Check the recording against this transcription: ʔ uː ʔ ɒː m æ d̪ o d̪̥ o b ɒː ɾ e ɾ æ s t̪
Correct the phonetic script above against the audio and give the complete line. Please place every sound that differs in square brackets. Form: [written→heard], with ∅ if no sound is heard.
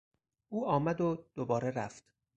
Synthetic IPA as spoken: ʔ uː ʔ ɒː m æ d̪ o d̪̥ o b ɒː ɾ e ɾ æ [s→f] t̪